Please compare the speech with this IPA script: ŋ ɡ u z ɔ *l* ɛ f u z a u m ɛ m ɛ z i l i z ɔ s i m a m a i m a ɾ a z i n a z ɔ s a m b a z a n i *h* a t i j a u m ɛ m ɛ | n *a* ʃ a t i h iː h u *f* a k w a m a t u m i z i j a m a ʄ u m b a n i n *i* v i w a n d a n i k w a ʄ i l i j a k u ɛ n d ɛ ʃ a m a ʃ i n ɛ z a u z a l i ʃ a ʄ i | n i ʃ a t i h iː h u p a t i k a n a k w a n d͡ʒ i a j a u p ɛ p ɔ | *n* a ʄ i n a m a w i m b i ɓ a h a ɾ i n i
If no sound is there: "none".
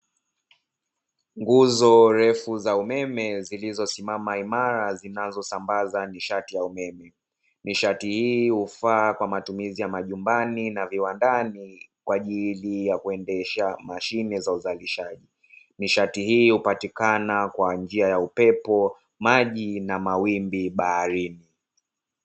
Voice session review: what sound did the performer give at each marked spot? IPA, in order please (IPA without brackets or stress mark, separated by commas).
ɾ, ʃ, i, f, a, m